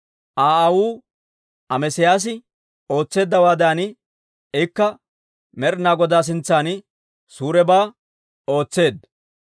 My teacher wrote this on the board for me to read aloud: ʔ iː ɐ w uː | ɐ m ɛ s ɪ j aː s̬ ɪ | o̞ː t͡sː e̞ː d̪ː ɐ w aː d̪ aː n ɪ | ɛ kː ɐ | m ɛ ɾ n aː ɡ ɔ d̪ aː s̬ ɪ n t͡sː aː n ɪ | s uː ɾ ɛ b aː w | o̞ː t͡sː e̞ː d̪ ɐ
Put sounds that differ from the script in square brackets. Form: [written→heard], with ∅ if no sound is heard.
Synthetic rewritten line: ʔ [iː→aː] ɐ w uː | ɐ m ɛ s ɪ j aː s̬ ɪ | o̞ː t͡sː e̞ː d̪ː ɐ w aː d̪ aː n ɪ | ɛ kː ɐ | m ɛ ɾ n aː ɡ ɔ d̪ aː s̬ ɪ n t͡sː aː n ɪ | s uː ɾ ɛ b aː [w→∅] | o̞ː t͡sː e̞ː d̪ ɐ

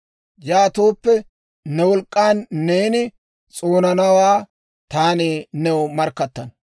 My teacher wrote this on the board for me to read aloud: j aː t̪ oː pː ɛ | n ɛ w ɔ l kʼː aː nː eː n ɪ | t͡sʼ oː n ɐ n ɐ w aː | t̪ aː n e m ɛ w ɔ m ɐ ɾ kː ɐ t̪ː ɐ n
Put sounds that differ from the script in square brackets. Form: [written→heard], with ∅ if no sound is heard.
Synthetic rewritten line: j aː t̪ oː pː ɛ | n ɛ w ɔ l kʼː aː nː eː n ɪ | t͡sʼ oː n ɐ n ɐ w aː | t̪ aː n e [m→n] ɛ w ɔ m ɐ ɾ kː ɐ t̪ː ɐ n

